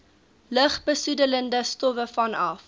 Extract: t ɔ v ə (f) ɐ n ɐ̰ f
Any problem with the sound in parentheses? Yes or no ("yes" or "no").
no